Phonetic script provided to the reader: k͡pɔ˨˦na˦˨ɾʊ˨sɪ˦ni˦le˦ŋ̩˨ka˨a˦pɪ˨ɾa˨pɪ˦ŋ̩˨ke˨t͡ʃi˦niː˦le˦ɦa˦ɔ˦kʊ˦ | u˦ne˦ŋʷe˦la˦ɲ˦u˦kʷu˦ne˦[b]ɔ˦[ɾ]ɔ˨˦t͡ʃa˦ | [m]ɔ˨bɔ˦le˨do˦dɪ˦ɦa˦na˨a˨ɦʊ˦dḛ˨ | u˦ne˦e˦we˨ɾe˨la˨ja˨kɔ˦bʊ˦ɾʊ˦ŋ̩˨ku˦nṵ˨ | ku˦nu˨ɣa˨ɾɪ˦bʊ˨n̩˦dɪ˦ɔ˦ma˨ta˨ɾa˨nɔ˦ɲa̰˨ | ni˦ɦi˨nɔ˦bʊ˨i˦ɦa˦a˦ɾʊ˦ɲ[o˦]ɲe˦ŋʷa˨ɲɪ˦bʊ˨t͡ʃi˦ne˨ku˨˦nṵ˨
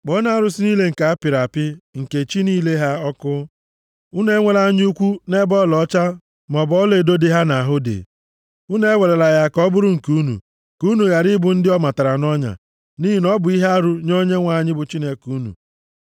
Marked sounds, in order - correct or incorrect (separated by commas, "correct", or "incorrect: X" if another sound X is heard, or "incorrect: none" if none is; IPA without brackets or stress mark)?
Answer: correct, incorrect: l, correct, correct